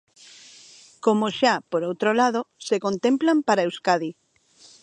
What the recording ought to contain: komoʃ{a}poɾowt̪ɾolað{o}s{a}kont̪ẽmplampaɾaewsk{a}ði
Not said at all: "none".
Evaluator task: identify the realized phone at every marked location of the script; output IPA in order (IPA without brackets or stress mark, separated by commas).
a, o, e, a